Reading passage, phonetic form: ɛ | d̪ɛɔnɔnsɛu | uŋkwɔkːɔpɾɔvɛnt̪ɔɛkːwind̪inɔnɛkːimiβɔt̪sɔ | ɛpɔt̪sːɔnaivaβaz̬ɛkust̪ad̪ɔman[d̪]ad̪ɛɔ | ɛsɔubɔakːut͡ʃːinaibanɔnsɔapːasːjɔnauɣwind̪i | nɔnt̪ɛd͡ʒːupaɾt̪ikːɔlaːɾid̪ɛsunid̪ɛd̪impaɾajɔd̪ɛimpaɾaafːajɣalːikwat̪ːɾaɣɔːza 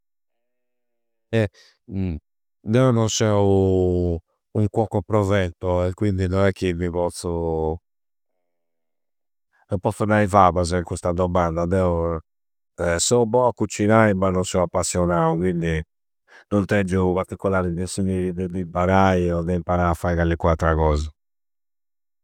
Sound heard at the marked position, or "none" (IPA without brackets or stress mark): d̪